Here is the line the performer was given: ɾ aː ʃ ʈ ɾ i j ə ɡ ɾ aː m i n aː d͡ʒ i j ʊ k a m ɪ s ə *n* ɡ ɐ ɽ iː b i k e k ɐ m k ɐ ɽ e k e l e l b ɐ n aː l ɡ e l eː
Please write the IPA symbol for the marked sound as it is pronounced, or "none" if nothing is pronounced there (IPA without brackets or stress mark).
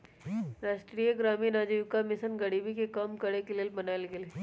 n